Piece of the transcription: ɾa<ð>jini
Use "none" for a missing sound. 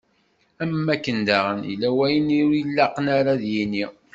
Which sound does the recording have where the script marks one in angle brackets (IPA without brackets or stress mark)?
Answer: ð